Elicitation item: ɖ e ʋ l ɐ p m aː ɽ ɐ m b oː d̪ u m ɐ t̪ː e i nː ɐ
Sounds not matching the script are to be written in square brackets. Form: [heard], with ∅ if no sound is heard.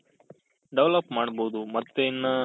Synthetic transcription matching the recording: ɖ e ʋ l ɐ p m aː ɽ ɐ [∅] b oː d̪ u m ɐ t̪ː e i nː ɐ